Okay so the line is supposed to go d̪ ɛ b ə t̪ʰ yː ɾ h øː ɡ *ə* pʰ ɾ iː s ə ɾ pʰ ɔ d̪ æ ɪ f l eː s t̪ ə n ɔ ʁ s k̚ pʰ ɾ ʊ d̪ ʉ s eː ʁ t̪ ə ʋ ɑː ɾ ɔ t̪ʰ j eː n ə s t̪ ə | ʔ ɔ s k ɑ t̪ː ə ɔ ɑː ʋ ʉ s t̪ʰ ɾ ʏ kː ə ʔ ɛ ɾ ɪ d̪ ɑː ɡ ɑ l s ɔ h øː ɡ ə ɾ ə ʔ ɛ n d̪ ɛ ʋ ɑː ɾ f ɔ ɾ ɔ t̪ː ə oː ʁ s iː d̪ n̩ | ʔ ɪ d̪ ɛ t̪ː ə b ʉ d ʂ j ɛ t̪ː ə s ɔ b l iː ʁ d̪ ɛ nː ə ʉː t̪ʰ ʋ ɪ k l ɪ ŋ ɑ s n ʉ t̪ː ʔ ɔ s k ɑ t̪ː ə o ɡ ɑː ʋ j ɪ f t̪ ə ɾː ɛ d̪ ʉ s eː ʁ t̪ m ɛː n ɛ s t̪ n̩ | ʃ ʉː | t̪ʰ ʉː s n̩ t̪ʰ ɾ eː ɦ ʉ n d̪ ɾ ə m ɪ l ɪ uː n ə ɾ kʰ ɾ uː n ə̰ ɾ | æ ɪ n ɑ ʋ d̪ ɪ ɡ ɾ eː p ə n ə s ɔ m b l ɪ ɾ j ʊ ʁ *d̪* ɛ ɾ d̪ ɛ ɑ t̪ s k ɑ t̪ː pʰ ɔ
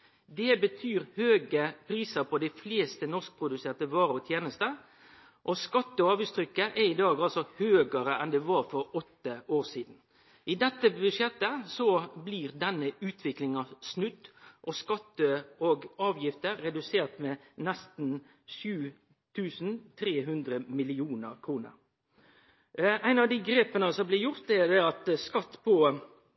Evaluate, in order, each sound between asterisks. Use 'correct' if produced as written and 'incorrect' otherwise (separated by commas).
correct, incorrect